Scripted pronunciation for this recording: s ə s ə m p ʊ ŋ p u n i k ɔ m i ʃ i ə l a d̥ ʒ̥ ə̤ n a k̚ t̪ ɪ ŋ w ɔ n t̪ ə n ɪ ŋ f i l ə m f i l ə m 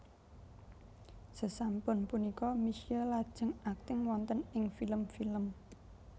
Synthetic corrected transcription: s ə s a m p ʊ n p u n i k ɔ m i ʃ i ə l a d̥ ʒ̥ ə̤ ŋ a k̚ t̪ ɪ ŋ w ɔ n t̪ ə n ɪ ŋ f i l ə m f i l ə m